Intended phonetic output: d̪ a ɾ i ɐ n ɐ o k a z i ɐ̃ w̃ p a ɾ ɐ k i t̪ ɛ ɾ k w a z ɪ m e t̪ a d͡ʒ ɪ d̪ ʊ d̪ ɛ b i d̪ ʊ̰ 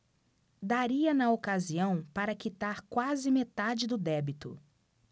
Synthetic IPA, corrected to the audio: d̪ a ɾ i ɐ n ɐ o k a z i ɐ̃ w̃ p a ɾ ɐ k i t̪ a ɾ k w a z ɪ m e t̪ a d͡ʒ ɪ d̪ ʊ d̪ ɛ b i t̪ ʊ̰